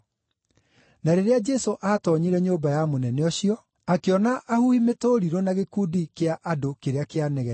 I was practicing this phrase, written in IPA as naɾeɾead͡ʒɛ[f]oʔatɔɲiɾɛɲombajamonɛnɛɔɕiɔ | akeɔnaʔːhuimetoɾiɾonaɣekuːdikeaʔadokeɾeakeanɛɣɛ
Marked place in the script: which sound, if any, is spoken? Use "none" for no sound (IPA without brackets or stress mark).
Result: s